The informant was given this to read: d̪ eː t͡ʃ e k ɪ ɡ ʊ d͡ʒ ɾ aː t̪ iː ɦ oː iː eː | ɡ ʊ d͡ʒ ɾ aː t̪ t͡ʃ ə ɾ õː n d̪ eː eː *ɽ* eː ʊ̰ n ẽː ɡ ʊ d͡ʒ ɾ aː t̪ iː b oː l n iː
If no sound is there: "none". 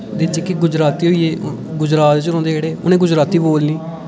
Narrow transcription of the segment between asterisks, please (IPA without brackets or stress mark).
ɽ